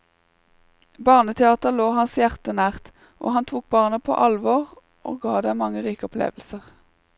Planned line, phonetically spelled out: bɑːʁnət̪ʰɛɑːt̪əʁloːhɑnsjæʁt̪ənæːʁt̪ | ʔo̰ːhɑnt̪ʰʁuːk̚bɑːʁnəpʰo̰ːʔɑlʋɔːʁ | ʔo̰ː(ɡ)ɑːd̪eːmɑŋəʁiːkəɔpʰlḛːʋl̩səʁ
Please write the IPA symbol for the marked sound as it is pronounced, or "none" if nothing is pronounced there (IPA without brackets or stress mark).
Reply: ɡ